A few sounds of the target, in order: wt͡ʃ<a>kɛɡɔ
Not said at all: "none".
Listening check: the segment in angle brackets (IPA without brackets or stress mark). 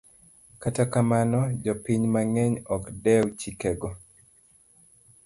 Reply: i